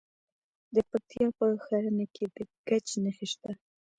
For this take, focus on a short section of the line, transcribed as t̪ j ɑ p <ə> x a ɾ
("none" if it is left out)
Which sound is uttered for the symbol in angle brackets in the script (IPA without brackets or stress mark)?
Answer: ə